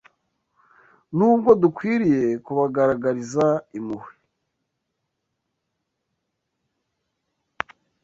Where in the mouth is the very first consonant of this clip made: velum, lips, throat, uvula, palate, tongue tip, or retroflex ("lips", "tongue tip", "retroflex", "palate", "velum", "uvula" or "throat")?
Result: tongue tip